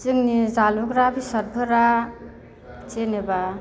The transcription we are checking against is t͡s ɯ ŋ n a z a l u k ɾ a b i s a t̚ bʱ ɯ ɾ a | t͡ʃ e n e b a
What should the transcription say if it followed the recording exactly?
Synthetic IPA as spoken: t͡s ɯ ŋ n i z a l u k ɾ a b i s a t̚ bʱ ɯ ɾ a | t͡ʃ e n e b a